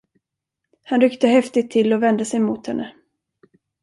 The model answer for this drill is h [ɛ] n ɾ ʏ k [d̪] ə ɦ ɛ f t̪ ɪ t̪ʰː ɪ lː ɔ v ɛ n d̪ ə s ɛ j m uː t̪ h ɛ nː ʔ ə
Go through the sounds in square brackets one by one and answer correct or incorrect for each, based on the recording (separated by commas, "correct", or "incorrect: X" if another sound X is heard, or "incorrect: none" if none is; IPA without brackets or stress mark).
incorrect: a, incorrect: t̪